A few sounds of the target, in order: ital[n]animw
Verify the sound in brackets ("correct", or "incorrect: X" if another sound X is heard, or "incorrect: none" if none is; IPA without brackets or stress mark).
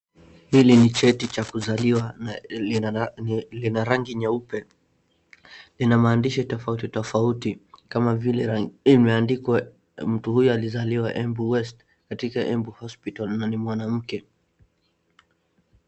correct